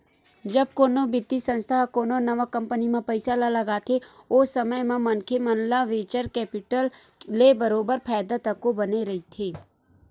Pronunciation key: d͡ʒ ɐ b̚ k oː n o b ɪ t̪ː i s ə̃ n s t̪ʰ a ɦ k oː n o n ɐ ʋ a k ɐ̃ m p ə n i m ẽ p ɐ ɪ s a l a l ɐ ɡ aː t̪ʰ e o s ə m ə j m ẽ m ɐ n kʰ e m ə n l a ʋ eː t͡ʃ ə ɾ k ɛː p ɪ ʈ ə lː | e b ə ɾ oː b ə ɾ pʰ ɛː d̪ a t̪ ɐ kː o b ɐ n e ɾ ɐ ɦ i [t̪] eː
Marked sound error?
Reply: yes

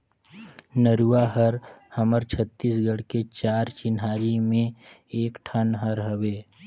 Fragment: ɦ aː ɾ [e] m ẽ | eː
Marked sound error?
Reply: yes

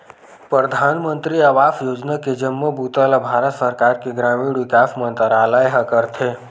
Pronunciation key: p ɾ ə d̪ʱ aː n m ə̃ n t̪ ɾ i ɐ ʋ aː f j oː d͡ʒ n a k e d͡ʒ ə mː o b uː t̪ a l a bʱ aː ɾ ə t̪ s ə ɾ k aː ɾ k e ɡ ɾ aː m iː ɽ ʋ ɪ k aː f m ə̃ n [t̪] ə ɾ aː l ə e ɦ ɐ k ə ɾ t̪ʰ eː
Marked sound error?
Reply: no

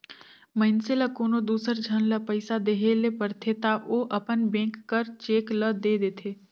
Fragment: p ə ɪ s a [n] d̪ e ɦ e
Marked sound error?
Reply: yes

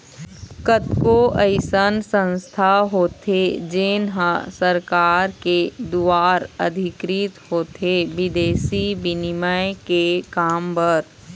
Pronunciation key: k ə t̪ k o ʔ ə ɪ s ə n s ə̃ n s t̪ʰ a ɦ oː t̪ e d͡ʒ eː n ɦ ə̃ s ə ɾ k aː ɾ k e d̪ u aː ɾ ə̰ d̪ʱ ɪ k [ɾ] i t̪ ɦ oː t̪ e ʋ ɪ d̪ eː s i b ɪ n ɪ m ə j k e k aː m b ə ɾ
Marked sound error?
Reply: no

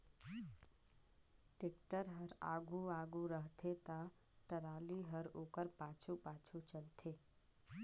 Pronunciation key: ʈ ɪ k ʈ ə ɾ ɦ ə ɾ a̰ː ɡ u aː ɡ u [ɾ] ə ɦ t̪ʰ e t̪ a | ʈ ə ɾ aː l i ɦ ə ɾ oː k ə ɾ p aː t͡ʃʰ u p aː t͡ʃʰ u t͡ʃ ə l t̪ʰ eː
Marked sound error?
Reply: no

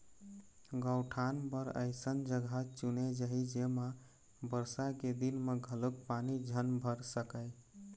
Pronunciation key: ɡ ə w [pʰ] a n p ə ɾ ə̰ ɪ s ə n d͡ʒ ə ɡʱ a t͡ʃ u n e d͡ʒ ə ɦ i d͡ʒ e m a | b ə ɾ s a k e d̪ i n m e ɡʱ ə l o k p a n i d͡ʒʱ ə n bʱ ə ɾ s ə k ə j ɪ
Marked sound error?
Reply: yes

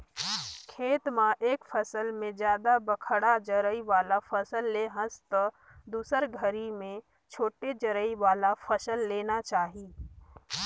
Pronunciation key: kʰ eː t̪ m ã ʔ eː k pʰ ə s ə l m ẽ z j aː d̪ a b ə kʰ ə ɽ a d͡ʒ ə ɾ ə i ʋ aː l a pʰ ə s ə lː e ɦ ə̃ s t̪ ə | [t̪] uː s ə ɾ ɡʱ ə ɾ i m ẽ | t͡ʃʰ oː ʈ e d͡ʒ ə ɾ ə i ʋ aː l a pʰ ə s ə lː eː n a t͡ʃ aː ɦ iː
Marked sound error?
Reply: yes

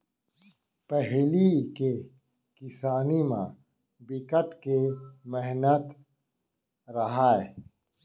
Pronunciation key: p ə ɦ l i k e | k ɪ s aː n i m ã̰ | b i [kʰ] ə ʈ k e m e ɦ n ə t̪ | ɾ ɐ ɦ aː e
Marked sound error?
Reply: yes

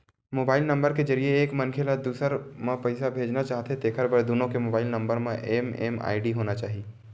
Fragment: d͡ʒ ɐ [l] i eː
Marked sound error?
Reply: yes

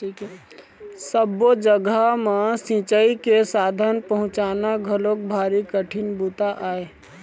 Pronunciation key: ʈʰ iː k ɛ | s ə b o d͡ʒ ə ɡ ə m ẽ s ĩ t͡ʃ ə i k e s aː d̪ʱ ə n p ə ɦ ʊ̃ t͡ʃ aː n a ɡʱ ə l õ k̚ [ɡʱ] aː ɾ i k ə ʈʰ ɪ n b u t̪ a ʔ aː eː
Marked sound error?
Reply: yes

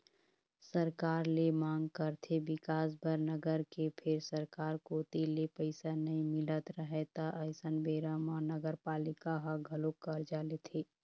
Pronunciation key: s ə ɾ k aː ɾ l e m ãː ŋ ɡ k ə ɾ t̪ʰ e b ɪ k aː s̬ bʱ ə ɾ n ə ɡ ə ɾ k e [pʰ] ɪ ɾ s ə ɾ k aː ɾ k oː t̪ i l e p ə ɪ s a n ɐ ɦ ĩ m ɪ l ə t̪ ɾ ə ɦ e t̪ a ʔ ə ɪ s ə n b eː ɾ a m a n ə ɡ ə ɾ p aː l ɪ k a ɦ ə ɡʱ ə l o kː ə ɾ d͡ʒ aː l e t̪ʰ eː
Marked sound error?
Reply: no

